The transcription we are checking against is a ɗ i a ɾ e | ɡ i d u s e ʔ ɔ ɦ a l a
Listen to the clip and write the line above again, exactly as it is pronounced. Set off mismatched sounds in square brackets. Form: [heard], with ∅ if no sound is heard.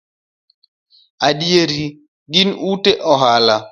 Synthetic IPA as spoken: a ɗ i [e] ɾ [i] | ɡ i [n] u [t] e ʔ ɔ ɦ a l a

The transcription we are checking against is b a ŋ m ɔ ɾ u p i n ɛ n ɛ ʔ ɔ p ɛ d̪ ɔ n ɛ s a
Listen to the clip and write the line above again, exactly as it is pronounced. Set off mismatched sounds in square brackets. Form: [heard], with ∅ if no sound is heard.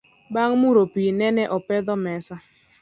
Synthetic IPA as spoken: b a ŋ m [u] ɾ [o] p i n ɛ n ɛ ʔ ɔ p ɛ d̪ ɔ [m] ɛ s a

